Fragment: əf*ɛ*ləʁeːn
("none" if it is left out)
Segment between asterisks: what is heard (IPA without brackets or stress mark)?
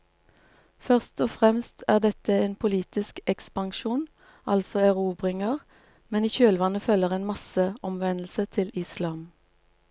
œ